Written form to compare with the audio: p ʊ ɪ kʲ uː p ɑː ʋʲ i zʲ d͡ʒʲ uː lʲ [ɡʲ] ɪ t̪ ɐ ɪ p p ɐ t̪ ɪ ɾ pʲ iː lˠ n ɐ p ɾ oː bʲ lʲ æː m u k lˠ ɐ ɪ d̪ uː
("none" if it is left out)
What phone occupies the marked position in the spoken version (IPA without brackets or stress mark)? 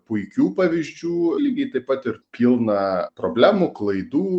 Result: ɡʲ